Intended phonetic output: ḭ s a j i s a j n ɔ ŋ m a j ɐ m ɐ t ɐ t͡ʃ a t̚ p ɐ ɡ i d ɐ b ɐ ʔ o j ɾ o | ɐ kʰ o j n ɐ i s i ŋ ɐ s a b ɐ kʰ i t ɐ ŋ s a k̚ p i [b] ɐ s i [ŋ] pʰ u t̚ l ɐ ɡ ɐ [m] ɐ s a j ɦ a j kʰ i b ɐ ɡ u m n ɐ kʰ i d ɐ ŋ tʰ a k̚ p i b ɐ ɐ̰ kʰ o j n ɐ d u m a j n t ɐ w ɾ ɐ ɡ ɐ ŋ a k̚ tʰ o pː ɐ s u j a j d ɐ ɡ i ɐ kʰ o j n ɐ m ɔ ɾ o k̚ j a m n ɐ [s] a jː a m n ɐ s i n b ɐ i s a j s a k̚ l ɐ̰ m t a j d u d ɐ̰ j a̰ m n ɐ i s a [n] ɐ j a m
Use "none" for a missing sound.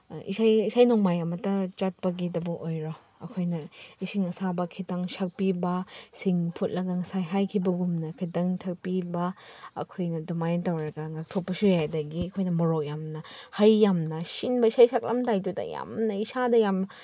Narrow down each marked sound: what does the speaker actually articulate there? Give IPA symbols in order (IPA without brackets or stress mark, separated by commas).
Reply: b, ŋ, ŋ, h, d